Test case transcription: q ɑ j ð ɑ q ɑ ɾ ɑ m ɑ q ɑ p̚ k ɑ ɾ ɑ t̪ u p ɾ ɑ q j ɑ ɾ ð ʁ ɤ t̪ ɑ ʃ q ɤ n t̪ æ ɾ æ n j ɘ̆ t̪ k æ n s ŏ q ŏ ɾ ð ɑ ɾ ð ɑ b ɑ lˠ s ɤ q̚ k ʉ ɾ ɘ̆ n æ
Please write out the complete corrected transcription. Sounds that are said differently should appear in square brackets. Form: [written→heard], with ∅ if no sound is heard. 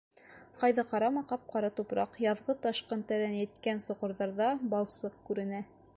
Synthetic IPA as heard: q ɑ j ð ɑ q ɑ ɾ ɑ m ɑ q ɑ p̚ [k→q] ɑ ɾ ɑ t̪ u p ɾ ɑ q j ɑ [ɾ→∅] ð ʁ ɤ t̪ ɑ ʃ q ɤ n t̪ æ ɾ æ n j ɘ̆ t̪ k æ n s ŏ q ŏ ɾ ð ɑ ɾ ð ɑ b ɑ lˠ s ɤ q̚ k ʉ ɾ ɘ̆ n æ